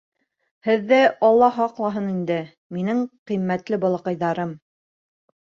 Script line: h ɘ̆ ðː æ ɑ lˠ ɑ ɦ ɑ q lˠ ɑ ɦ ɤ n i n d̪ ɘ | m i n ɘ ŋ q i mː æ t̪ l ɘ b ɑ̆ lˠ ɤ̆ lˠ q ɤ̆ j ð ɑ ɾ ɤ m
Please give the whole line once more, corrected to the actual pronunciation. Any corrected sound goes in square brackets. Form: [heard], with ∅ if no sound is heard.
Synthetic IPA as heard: h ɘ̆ ðː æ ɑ [lˠː] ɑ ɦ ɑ q lˠ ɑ ɦ ɤ n i n d̪ ɘ | m i n ɘ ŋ q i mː æ t̪ l ɘ b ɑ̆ lˠ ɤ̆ [∅] q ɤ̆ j ð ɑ ɾ ɤ m